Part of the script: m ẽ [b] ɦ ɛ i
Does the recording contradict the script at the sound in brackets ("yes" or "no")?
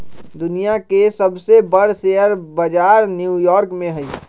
yes